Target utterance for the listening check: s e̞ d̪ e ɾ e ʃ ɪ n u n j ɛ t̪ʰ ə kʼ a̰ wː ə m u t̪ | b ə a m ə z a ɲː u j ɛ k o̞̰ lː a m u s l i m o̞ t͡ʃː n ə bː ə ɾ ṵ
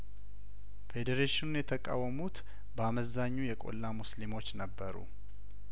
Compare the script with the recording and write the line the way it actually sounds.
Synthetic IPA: f e̞ d̪ e ɾ e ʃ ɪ n u n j ɛ t̪ʰ ə kʼ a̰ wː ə m u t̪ | b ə a m ə z a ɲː u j ɛ kʼ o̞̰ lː a m u s l i m o̞ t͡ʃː n ə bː ə ɾ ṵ